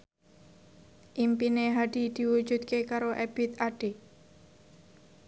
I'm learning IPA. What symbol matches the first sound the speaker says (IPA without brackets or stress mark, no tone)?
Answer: ʔ